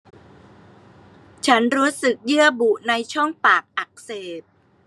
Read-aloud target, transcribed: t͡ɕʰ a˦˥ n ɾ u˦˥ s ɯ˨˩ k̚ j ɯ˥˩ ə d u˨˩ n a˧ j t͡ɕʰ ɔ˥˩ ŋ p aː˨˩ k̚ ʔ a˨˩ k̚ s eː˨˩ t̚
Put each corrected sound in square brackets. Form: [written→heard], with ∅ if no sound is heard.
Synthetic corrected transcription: t͡ɕʰ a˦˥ n ɾ [u˦˥→uː˦˥] s ɯ˨˩ k̚ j ɯ˥˩ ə [d→b] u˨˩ n a˧ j t͡ɕʰ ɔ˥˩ ŋ p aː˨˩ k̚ ʔ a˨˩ k̚ s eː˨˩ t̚